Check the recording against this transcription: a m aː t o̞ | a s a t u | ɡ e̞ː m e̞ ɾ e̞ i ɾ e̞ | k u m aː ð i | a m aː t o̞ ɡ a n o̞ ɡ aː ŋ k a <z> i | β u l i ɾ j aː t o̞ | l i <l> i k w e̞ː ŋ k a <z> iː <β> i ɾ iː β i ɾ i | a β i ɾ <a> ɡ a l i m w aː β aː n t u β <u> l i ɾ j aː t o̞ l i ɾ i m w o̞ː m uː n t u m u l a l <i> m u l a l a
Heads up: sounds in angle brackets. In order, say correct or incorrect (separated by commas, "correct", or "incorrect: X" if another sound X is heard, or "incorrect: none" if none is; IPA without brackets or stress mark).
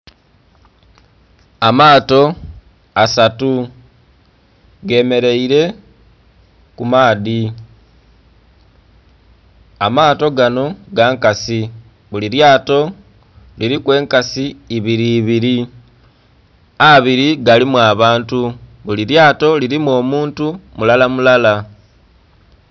incorrect: s, incorrect: ɾ, incorrect: s, correct, incorrect: i, correct, incorrect: a